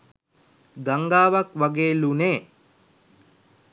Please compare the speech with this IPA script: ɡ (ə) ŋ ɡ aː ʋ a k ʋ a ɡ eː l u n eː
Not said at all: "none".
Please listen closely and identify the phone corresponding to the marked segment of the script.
a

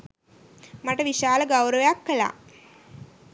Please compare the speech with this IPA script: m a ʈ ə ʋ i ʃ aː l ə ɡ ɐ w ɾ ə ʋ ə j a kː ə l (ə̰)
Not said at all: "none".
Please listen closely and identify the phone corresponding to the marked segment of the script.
a̰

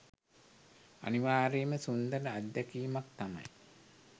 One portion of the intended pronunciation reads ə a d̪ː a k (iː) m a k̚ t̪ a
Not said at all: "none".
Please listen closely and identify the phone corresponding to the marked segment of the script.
iː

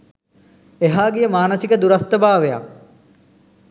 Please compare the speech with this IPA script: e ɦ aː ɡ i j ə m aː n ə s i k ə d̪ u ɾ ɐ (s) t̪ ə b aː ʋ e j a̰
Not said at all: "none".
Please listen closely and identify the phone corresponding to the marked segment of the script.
s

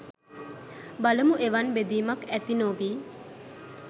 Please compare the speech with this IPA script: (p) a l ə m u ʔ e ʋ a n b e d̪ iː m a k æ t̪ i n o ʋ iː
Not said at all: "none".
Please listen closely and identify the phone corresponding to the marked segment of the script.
b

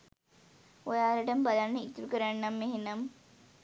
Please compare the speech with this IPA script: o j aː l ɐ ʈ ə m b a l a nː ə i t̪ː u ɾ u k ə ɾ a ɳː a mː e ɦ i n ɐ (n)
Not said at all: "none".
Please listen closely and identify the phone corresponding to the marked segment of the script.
m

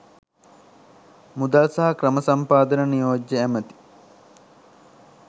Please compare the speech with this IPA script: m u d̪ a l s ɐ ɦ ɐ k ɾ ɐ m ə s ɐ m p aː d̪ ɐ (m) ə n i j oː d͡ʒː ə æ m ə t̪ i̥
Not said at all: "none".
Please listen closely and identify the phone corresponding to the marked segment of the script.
n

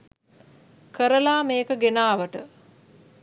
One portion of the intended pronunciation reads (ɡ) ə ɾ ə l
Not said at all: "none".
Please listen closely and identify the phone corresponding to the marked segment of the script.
k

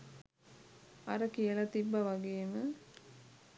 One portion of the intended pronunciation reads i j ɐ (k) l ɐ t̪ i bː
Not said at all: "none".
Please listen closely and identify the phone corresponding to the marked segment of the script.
none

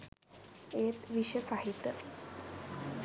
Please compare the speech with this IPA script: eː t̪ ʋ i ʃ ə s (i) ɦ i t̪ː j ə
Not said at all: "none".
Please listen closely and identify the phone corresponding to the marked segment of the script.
a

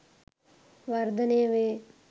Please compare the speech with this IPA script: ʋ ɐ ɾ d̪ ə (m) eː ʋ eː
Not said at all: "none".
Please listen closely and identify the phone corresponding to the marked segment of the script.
n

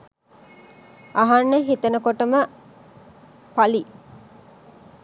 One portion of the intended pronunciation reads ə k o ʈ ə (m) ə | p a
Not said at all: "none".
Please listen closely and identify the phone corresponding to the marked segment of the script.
m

